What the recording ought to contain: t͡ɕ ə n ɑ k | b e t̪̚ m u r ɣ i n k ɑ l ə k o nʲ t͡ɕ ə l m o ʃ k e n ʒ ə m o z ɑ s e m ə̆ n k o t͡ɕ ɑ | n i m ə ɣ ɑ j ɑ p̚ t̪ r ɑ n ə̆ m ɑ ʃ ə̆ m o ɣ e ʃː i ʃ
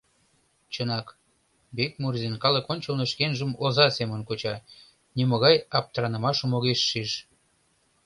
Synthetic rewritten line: t͡ɕ ə n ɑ k | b e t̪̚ m u r z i n k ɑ l ə k o nʲ t͡ɕ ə l n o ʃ k e n ʒ ə m o z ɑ s e m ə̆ n k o t͡ɕ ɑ | n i m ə ɣ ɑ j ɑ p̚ t̪ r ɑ n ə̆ m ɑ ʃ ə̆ m o ɣ e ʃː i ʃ

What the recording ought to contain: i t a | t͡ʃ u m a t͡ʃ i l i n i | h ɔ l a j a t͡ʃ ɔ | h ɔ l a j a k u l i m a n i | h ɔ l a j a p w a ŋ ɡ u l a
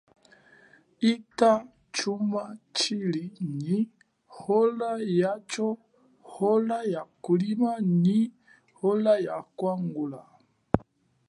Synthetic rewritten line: i t a | t͡ʃ u m a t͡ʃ i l i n i | h ɔ l a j a t͡ʃ ɔ | h ɔ l a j a k u l i m a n i | h ɔ l a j a k w a ŋ ɡ u l a

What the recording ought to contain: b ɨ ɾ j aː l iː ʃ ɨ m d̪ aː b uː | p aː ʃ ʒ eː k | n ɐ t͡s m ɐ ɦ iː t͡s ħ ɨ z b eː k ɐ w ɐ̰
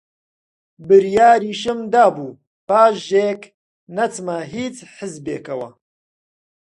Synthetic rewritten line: b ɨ ɾ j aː ɾ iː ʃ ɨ m d̪ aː b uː | p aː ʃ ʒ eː k | n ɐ t͡s m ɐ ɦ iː t͡s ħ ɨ z b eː k ɐ w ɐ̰

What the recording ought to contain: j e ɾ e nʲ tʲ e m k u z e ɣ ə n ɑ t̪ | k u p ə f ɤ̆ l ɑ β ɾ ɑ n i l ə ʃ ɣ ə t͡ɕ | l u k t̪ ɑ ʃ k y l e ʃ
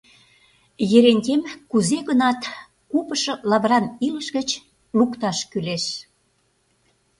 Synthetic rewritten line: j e ɾ e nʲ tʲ e m k u z e ɣ ə n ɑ t̪ | k u p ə ʃ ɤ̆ l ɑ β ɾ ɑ n i l ə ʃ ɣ ə t͡ɕ | l u k t̪ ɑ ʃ k y l e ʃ

